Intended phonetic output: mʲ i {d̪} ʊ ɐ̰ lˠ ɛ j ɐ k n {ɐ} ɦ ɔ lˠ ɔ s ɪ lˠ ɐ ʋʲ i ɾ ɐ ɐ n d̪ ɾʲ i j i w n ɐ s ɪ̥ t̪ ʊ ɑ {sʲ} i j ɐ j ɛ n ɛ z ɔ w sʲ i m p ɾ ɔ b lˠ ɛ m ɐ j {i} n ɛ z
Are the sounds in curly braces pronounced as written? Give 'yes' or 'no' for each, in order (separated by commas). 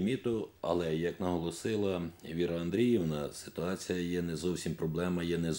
no, yes, no, no